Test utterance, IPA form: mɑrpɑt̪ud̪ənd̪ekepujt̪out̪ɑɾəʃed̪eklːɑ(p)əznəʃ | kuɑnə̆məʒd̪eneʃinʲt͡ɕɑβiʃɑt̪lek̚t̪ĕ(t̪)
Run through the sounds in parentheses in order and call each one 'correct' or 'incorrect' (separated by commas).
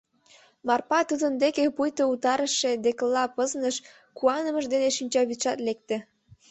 correct, incorrect